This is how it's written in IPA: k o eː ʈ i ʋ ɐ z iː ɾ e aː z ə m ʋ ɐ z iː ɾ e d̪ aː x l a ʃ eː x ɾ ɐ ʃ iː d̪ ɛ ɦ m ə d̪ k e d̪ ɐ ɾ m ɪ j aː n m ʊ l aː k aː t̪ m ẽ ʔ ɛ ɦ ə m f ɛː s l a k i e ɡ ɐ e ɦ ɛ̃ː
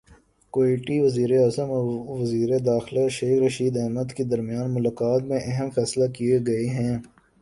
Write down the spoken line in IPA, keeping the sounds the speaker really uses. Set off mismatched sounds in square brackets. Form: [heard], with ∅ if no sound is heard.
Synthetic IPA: k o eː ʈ i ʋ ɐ z iː ɾ e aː z ə m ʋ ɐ z iː ɾ e d̪ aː x l a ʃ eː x ɾ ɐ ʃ iː d̪ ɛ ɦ m ə d̪ k e d̪ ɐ ɾ m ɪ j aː n m ʊ l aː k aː t̪ m ẽ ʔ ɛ ɦ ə m f ɛː s l a k i e ɡ ɐ e ɦ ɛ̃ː